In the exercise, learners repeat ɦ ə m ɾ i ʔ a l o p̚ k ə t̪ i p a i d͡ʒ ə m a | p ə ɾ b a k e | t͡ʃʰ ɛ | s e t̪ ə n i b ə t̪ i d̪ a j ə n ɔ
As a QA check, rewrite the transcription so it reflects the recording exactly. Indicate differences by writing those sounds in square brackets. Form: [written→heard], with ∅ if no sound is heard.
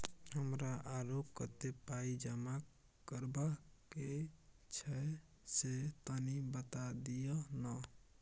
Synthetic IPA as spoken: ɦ ə m ɾ [i→a] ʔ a [l→ɾ] o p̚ k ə t̪ [i→e] p a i d͡ʒ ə m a | [p→k] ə ɾ b a k e | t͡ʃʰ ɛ | s e t̪ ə n i b ə t̪ [i→a] d̪ [a→i] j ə n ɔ